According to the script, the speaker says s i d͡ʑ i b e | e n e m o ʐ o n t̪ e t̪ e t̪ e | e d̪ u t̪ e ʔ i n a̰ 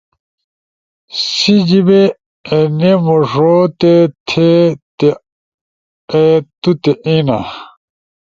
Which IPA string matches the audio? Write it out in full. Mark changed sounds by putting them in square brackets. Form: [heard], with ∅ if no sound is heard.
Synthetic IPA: s i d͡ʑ i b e | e n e m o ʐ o [∅] t̪ e [t̪ʰ] e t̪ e | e [t̪] u t̪ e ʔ i n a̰